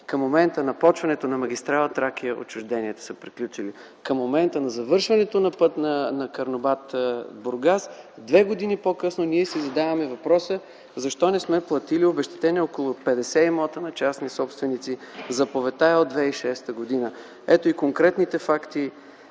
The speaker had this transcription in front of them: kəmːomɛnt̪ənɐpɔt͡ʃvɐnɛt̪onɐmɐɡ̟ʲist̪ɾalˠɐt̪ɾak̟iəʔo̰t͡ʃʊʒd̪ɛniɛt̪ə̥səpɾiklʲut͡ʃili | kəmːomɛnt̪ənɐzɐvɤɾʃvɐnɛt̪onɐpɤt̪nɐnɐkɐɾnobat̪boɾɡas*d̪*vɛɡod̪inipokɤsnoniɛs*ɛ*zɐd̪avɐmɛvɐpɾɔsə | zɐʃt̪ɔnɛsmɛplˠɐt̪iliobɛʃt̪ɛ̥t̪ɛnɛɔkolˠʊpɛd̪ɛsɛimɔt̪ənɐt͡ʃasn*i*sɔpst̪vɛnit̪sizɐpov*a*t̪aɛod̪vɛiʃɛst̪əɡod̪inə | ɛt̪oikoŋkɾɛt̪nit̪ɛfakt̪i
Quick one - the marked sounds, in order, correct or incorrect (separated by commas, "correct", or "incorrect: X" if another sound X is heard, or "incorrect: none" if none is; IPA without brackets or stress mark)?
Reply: correct, incorrect: i, correct, incorrect: ɛ